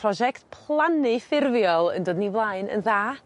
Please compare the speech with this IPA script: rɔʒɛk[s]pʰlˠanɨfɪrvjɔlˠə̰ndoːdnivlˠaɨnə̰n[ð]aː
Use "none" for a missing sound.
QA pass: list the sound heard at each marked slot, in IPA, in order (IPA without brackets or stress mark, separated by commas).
t, ð